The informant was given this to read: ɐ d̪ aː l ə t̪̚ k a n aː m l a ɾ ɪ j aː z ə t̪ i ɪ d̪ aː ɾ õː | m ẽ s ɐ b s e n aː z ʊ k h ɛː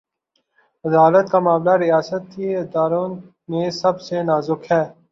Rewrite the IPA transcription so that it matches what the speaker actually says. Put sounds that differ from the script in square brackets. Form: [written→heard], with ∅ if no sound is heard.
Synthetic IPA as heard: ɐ d̪ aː l ə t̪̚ k a [n→m] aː m l a ɾ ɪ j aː [z→s] ə t̪ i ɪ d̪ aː ɾ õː | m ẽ s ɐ b s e n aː z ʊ k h ɛː